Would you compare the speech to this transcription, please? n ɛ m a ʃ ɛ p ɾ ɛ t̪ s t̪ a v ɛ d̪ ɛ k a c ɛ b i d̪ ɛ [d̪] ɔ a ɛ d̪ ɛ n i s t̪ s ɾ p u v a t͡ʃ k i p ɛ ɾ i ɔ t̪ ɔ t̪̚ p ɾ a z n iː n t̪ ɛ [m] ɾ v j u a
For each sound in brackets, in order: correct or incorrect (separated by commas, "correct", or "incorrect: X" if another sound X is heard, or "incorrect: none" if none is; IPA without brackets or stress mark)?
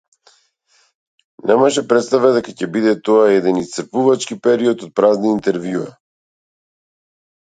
incorrect: t̪, incorrect: none